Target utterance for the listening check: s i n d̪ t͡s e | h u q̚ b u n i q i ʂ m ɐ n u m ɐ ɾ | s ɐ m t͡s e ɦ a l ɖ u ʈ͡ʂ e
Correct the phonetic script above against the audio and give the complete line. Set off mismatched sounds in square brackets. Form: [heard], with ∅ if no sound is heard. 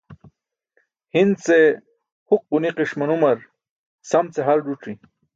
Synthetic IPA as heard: [h] i n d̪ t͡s e | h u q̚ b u n i q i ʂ m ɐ n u m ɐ ɾ | s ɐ m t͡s e ɦ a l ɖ u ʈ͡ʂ [i]

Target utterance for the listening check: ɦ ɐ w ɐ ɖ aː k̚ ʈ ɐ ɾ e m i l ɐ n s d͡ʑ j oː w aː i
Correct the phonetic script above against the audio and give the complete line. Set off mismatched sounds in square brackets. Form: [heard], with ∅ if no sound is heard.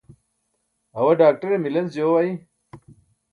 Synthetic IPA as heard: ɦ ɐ w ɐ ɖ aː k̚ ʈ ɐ ɾ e m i l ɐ n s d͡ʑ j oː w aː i

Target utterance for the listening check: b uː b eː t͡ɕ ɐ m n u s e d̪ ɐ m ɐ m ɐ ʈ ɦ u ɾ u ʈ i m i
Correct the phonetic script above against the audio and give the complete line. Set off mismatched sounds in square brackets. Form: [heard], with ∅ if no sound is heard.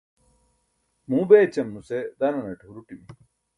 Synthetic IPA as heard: [m] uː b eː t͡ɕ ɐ m n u s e d̪ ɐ [n] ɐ [n] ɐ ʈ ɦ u ɾ u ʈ i m i

